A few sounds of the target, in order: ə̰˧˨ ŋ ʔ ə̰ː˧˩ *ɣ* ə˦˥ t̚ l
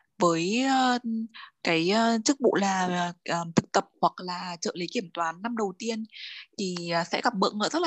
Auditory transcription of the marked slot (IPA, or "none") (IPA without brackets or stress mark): z